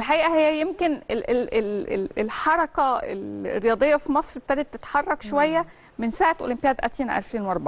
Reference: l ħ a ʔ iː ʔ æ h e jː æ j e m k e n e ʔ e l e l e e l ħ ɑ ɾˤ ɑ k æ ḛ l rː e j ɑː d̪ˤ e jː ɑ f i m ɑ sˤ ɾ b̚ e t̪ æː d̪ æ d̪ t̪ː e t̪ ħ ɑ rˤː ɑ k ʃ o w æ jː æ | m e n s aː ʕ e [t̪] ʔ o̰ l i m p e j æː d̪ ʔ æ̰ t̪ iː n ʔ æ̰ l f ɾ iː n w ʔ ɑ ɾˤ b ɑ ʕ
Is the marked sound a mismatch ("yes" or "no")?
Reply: no